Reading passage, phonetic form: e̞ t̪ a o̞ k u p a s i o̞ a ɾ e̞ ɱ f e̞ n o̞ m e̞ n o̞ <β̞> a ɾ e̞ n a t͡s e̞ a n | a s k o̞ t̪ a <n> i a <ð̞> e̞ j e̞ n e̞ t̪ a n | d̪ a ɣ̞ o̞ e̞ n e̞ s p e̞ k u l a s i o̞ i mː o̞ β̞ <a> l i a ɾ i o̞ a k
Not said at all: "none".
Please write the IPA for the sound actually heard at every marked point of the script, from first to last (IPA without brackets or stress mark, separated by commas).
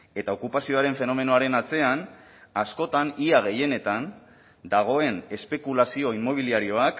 none, n, ɣ̞, i